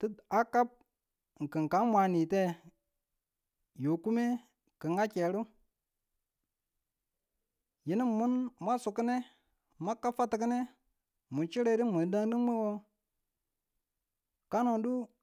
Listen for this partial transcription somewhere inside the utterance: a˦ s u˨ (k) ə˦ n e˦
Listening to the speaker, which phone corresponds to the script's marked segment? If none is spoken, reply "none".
k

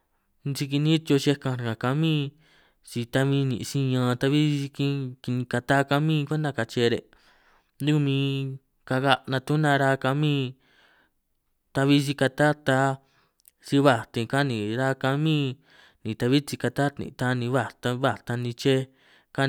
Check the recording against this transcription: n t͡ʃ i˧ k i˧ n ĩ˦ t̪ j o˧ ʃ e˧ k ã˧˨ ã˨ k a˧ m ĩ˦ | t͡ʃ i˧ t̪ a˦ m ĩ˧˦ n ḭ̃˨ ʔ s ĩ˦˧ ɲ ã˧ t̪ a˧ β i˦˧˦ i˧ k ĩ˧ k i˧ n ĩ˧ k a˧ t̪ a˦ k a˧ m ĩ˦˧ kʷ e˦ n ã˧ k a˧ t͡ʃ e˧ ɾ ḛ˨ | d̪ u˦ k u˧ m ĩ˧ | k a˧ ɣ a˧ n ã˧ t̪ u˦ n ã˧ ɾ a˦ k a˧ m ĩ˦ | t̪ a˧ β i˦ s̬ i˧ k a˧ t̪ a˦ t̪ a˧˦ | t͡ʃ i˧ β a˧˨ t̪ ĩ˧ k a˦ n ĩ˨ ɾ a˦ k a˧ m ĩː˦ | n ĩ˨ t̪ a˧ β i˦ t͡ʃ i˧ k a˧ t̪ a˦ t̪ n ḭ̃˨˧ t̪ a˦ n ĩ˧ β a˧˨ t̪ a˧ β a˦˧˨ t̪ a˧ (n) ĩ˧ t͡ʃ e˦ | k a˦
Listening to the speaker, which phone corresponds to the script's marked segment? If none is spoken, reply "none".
n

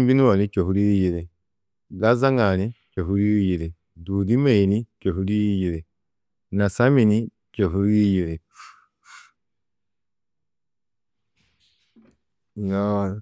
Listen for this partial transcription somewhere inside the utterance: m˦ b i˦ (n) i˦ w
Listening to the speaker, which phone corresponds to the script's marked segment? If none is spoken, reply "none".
n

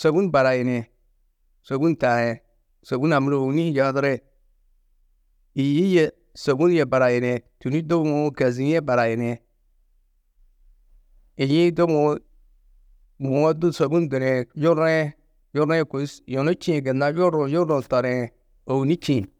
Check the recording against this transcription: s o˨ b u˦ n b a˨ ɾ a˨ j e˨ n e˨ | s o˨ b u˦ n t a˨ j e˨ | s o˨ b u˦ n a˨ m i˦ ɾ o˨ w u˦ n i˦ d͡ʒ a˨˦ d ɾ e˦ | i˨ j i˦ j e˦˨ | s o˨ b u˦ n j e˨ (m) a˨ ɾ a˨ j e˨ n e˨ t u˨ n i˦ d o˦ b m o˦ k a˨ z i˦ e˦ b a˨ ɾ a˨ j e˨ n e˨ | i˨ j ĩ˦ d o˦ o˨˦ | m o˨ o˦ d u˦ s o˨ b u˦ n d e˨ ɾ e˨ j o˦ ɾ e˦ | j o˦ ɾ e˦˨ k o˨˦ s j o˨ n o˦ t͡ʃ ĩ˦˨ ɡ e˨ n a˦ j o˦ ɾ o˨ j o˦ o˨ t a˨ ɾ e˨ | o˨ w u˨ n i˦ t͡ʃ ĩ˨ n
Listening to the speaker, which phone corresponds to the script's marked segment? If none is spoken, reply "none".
b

